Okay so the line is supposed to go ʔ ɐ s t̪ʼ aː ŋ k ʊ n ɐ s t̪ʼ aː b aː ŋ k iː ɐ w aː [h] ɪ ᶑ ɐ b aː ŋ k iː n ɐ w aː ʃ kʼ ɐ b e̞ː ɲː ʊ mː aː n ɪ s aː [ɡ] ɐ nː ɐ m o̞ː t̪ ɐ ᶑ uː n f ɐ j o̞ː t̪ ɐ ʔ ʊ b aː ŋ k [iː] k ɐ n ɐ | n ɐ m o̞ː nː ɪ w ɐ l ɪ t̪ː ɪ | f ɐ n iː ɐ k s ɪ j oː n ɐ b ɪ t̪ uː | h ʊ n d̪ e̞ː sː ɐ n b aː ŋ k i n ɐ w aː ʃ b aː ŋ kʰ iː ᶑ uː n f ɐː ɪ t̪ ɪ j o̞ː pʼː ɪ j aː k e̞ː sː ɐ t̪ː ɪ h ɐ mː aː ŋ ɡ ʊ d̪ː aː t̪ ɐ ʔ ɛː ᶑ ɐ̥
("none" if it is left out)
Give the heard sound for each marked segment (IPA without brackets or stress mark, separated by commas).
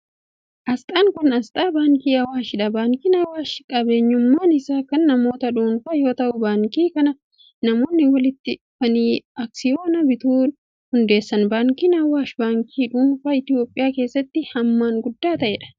ʃ, k, iː